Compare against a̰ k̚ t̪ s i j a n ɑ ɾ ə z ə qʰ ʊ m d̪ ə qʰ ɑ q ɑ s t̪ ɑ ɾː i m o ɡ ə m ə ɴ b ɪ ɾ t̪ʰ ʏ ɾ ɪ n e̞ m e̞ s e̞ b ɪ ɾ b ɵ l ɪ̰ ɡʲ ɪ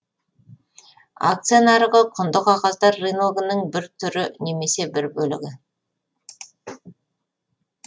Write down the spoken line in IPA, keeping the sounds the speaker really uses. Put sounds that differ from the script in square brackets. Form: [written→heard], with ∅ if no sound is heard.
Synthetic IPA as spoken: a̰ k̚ t̪ s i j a n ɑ ɾ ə [z→ʁ] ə qʰ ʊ [m→n] d̪ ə [qʰ→q] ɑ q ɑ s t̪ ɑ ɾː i [m→n] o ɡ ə [m→n] ə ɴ b ɪ ɾ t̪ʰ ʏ ɾ ɪ n e̞ m e̞ s e̞ b ɪ ɾ b ɵ l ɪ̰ ɡʲ ɪ

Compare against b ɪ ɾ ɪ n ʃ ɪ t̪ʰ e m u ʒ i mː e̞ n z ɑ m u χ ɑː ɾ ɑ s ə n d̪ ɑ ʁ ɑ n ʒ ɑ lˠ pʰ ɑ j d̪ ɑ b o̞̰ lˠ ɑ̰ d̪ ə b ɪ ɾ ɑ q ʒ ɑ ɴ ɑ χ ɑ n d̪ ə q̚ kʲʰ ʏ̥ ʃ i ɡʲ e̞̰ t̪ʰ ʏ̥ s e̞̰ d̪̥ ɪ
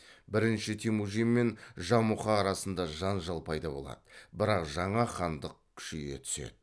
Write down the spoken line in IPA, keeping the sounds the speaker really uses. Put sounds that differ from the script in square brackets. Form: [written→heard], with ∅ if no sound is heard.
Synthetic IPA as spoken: b ɪ ɾ ɪ n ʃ ɪ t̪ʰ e m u ʒ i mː e̞ n [z→ʒ] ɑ m u χ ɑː ɾ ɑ s ə n d̪ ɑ [ʁ→ʒ] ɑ n ʒ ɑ lˠ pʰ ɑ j d̪ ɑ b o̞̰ lˠ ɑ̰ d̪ ə b ɪ ɾ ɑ q ʒ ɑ ɴ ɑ χ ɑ n d̪ ə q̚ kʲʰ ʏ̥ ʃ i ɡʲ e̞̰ t̪ʰ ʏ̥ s e̞̰ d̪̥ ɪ

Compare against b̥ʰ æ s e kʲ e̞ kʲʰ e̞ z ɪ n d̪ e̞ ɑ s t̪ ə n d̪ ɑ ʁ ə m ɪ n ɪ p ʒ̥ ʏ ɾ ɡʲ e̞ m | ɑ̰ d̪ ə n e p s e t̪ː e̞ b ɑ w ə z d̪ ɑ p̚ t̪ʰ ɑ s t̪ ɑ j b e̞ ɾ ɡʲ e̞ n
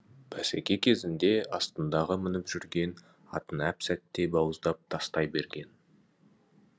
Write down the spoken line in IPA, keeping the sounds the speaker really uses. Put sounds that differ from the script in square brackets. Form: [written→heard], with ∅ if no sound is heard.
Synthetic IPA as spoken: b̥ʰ æ s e kʲ e̞ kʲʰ e̞ z ɪ n d̪ e̞ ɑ s t̪ ə n d̪ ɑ ʁ ə m ɪ n ɪ p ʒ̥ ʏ ɾ ɡʲ e̞ [m→n] | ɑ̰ [d̪→t̪] ə n [e→æ] p s [e→æ] t̪ː e̞ b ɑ w ə z d̪ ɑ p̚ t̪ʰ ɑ s t̪ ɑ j b e̞ ɾ ɡʲ e̞ n

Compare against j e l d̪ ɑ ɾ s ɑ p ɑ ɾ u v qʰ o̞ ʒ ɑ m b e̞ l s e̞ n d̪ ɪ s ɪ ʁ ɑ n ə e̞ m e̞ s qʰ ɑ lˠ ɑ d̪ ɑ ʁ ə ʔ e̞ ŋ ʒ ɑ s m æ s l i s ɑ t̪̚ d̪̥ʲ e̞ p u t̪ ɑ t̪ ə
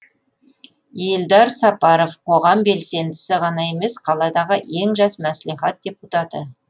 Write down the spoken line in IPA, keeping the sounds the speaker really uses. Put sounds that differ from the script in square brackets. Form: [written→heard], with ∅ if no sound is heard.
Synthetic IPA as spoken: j e l d̪ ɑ ɾ s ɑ p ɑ ɾ [u→o] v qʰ o̞ [ʒ→ʁ] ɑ m b e̞ l s e̞ n d̪ ɪ s ɪ ʁ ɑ n [ə→ɑ] e̞ m e̞ s qʰ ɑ lˠ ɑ d̪ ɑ ʁ ə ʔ e̞ ŋ ʒ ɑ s m æ s l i [s→χ] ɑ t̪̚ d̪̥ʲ e̞ p u t̪ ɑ t̪ ə

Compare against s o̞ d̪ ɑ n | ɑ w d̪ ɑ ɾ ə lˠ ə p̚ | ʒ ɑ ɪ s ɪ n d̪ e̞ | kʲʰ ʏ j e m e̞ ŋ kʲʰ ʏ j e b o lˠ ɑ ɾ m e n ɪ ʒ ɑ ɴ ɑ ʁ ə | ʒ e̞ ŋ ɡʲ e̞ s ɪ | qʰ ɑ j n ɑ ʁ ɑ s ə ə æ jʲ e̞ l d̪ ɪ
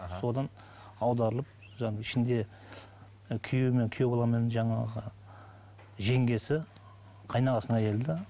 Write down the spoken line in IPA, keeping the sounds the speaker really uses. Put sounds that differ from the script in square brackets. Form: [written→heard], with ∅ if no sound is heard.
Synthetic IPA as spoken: s o̞ d̪ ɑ n | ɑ w d̪ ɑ ɾ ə lˠ ə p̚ | ʒ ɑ ɪ [s→ʃ] ɪ n d̪ e̞ | kʲʰ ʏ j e m e̞ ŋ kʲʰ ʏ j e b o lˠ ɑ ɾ m e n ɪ ʒ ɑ ɴ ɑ ʁ ə | ʒ e̞ ŋ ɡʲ e̞ s ɪ | qʰ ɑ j n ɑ ʁ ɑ s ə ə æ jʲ e̞ l d̪ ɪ

